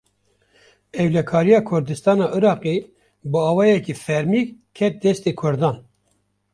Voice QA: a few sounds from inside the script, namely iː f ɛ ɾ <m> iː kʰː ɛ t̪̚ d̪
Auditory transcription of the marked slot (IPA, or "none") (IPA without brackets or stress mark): m